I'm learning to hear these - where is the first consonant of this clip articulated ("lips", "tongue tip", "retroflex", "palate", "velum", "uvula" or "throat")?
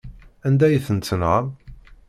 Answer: tongue tip